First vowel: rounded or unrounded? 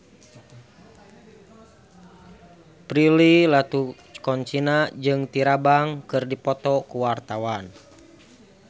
unrounded